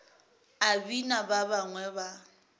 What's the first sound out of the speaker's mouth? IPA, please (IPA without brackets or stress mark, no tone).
a